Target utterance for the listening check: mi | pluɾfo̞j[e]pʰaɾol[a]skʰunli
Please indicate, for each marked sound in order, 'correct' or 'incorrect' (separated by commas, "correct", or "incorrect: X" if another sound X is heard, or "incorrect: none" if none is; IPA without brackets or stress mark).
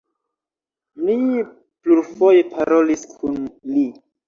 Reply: correct, incorrect: i